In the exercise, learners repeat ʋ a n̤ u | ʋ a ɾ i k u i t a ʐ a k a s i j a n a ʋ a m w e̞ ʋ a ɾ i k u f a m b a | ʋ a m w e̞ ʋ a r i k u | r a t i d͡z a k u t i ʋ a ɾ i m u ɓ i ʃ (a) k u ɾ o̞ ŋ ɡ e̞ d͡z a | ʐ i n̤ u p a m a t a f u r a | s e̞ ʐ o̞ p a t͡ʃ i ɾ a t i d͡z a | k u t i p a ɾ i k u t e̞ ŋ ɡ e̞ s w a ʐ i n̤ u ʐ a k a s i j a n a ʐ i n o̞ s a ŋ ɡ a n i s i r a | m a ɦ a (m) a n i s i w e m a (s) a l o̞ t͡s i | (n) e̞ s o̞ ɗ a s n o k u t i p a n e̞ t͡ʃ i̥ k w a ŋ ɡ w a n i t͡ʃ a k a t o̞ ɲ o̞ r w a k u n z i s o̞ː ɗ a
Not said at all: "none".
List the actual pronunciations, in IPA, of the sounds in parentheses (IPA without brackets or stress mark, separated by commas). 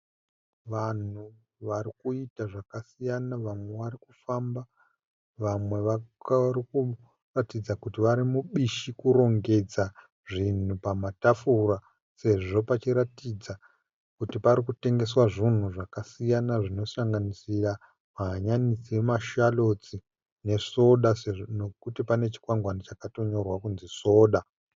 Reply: i, ɲ, ʃ, n